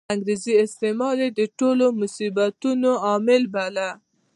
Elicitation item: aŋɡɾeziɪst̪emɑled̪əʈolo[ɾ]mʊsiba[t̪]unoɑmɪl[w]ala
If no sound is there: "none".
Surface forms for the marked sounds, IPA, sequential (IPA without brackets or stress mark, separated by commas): none, t̪, b